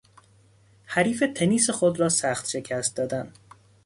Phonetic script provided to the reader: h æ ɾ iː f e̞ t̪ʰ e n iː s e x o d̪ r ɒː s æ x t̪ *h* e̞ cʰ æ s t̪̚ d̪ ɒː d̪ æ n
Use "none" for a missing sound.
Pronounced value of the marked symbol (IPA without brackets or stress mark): ʃ